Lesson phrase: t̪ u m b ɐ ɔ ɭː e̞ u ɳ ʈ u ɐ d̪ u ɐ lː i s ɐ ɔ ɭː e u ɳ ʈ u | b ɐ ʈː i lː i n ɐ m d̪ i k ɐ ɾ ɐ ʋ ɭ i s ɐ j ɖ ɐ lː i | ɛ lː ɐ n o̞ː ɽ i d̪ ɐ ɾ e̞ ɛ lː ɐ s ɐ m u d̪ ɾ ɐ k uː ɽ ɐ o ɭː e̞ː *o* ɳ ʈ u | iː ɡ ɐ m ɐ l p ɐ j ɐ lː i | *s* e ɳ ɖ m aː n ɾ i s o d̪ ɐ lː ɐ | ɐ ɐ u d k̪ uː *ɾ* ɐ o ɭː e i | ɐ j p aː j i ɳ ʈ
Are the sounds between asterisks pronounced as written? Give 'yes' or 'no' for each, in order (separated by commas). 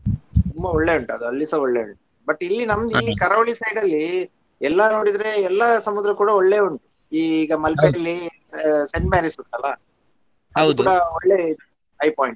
no, yes, no